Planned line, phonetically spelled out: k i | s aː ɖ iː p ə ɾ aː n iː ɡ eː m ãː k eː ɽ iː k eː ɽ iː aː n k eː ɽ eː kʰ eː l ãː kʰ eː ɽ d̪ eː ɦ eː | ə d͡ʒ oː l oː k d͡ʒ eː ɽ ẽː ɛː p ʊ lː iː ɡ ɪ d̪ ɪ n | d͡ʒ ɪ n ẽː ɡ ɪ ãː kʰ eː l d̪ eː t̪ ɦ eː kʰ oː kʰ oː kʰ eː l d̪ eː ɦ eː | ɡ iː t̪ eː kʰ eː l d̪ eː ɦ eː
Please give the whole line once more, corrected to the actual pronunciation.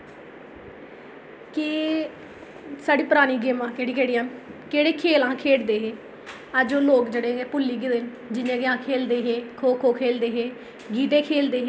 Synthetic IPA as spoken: k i | s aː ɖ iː p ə ɾ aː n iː ɡ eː m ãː k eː ɽ iː k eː ɽ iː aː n k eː ɽ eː kʰ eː l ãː kʰ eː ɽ d̪ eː ɦ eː | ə d͡ʒ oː l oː k d͡ʒ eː ɽ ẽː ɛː p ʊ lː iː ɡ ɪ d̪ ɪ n | d͡ʒ ɪ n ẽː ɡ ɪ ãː kʰ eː l d̪ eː ɦ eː kʰ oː kʰ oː kʰ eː l d̪ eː ɦ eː | ɡ iː t̪ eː kʰ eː l d̪ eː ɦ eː